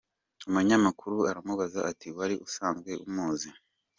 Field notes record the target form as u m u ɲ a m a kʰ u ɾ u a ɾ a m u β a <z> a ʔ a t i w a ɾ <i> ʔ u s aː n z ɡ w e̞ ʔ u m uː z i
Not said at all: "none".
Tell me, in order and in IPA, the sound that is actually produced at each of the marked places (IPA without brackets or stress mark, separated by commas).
z, i